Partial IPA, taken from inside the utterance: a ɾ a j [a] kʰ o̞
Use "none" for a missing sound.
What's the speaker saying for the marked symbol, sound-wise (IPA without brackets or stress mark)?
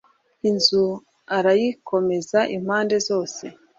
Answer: i